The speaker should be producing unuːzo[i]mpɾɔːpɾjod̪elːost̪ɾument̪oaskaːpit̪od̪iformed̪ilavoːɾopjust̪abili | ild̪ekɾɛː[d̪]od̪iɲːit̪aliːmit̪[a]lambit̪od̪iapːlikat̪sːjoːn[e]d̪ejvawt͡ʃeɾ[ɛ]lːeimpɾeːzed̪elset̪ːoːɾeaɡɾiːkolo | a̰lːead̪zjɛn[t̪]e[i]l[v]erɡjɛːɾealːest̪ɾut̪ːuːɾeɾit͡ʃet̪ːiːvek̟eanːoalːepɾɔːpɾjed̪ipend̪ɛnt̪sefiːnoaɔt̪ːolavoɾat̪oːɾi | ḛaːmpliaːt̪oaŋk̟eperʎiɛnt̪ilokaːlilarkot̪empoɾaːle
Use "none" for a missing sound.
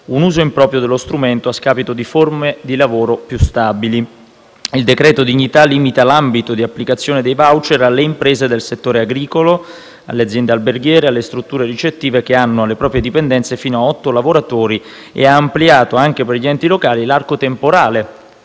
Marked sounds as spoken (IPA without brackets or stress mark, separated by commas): i, t̪, a, e, a, d̪, a, b